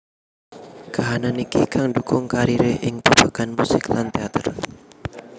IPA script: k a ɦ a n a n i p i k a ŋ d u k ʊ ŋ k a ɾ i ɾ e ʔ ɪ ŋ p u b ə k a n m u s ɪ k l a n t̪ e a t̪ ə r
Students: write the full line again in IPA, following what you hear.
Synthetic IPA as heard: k a ɦ a n a n i k i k a ŋ d u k ʊ ŋ k a ɾ i ɾ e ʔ ɪ ŋ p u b a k a n m u s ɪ k l a n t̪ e a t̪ ə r